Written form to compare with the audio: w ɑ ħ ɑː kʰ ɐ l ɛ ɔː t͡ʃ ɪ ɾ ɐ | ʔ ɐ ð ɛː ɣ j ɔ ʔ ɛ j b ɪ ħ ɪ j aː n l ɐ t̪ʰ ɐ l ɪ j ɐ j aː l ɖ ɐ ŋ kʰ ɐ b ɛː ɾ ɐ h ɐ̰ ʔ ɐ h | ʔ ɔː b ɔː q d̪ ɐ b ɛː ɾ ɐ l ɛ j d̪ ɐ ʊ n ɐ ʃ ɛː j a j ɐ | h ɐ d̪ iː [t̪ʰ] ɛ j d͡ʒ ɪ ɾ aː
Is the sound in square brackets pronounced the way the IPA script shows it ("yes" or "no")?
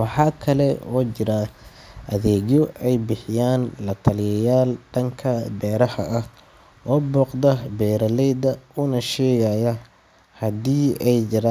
no